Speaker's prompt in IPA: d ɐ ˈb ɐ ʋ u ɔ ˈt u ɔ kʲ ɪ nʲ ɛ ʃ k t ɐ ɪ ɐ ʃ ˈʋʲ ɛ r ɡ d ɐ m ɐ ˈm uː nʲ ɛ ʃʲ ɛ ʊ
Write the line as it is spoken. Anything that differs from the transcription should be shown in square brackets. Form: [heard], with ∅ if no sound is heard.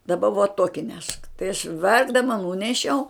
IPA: d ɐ ˈb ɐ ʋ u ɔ ˈt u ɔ kʲ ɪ nʲ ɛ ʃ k t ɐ ɪ ɐ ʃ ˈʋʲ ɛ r ɡ d ɐ m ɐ [ˈn] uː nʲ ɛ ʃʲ ɛ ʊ

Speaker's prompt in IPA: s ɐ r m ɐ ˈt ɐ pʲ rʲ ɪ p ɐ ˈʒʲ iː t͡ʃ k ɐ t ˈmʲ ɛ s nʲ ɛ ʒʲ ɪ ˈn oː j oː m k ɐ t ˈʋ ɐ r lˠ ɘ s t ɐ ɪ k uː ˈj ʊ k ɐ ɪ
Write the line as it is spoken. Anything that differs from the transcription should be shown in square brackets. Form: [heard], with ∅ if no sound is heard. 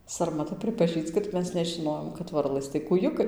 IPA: s ɐ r m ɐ ˈt ɐ pʲ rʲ ɪ p ɐ ˈʒʲ iː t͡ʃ k ɐ t ˈmʲ ɛ s nʲ ɛ ʒʲ ɪ ˈn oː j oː m k ɐ t ˈʋ ɐ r lˠ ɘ s t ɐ ɪ k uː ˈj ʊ k ɐ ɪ

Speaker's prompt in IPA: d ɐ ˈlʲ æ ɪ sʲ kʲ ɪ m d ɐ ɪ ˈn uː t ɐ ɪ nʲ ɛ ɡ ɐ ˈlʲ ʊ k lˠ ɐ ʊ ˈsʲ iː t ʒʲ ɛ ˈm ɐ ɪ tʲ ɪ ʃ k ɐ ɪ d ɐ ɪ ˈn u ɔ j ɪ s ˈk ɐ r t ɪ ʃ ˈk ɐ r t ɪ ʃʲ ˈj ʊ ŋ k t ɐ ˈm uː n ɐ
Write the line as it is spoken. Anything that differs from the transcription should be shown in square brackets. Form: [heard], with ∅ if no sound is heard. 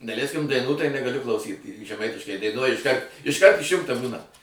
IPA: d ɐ ˈlʲ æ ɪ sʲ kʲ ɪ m d ɐ ɪ ˈn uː t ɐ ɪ nʲ ɛ ɡ ɐ ˈlʲ ʊ k lˠ ɐ ʊ ˈsʲ iː t ʒʲ ɛ ˈm ɐ ɪ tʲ ɪ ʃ k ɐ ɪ d ɐ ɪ ˈn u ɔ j ɪ [ʃ] ˈk ɐ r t ɪ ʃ ˈk ɐ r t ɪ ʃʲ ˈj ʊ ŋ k t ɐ [ˈb] uː n ɐ

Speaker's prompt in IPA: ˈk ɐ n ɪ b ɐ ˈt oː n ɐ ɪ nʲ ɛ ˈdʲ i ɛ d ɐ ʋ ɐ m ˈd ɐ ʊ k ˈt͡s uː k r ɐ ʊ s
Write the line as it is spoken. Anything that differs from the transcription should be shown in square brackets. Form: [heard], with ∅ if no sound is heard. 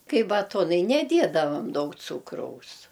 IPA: ˈk ɐ [∅] ɪ b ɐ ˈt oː n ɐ ɪ nʲ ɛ ˈdʲ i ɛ d ɐ ʋ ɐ m ˈd ɐ ʊ k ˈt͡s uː k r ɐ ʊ s

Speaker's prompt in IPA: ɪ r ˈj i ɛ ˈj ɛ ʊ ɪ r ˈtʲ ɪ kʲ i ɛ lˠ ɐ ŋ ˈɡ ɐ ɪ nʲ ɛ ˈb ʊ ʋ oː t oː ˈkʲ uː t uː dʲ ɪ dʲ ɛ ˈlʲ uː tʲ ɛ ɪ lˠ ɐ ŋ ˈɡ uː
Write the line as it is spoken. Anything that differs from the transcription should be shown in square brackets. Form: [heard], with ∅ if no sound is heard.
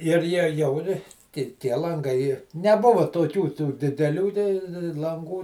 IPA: ɪ r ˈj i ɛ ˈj ɛ ʊ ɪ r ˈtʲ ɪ [tʲ] i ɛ lˠ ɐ ŋ ˈɡ ɐ ɪ nʲ ɛ ˈb ʊ ʋ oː t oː ˈkʲ uː t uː dʲ ɪ dʲ ɛ ˈlʲ uː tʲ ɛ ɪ lˠ ɐ ŋ ˈɡ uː

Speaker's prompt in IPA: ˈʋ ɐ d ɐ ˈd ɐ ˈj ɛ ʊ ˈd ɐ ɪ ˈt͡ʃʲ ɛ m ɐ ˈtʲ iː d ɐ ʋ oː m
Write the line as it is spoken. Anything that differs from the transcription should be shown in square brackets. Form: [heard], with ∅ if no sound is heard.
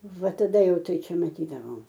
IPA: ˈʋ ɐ [t] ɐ ˈd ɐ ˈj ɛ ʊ [ˈt] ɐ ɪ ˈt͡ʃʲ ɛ m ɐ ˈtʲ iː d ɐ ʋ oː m

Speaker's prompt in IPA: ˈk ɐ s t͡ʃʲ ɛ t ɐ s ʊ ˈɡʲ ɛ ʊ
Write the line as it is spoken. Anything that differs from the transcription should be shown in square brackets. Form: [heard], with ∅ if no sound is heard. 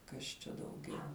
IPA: ˈk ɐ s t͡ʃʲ ɛ [d] ɐ [∅] ʊ ˈɡʲ ɛ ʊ

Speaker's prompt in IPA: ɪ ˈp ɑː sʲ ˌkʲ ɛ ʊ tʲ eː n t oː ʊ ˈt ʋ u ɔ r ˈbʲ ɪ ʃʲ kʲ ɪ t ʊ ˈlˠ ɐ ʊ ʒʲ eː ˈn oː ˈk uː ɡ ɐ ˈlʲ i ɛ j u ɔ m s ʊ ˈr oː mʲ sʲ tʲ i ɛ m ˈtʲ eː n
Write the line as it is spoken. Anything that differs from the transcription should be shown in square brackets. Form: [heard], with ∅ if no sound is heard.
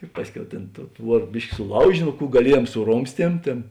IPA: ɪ ˈp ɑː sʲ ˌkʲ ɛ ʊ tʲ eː n t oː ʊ ˈt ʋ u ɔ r ˈbʲ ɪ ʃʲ kʲ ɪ [s] ʊ ˈlˠ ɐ ʊ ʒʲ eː ˈn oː ˈk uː ɡ ɐ ˈlʲ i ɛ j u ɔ m s ʊ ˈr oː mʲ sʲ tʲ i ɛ m ˈtʲ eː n

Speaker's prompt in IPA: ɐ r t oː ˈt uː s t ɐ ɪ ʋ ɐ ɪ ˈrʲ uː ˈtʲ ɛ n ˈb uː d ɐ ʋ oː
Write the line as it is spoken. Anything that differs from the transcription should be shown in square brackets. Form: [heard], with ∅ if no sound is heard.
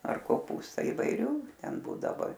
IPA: ɐ r [k] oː [ˈp] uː s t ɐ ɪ ʋ ɐ ɪ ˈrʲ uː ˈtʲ ɛ n ˈb uː d ɐ ʋ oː

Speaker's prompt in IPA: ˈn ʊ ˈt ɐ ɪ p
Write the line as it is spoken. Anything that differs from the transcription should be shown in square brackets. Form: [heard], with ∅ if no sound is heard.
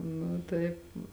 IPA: ˈn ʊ ˈt ɐ ɪ p

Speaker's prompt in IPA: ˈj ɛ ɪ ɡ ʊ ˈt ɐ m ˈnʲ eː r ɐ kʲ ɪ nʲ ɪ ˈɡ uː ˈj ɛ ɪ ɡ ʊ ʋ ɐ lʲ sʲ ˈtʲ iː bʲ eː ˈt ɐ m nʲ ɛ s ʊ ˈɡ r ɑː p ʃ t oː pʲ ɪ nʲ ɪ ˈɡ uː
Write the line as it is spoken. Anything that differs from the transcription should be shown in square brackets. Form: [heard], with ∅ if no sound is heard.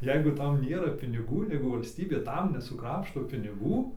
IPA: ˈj ɛ ɪ ɡ ʊ ˈt ɐ m ˈnʲ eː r ɐ [pʲ] ɪ nʲ ɪ ˈɡ uː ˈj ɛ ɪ ɡ ʊ ʋ ɐ lʲ sʲ ˈtʲ iː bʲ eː ˈt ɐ m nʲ ɛ s ʊ [ˈk] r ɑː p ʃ t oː pʲ ɪ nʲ ɪ ˈɡ uː

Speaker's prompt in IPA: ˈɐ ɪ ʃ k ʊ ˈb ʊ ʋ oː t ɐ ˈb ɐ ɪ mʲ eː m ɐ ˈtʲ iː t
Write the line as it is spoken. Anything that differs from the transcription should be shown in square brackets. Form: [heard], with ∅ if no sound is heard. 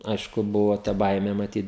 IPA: ˈɐ ɪ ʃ k ʊ ˈb ʊ ʋ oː t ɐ ˈb ɐ ɪ mʲ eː m ɐ ˈtʲ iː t

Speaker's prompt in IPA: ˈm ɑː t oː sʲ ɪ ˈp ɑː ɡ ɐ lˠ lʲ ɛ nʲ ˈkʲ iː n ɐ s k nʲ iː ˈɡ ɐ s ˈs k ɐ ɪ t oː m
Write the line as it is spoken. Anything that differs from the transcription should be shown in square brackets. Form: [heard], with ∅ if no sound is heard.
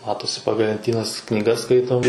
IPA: ˈm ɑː t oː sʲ ɪ ˈp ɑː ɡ ɐ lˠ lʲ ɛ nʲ [ˈtʲ] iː n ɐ s k nʲ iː ˈɡ ɐ s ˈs k ɐ ɪ t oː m

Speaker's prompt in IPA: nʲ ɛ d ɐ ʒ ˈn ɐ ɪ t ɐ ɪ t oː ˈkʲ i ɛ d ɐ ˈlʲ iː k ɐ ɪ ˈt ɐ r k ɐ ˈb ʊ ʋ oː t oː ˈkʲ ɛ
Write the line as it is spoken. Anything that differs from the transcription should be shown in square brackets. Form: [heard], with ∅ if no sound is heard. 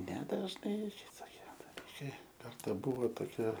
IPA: nʲ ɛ d ɐ ʒ ˈn ɐ ɪ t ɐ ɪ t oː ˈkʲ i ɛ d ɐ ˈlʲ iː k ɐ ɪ [ˈk] ɐ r [t] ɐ ˈb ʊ ʋ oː t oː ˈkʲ ɛ

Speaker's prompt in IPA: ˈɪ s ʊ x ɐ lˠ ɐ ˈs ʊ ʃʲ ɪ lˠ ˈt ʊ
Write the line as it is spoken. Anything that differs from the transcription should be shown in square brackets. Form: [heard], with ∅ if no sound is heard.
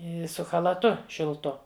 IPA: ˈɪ s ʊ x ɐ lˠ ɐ [ˈt] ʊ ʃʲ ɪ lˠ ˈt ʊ

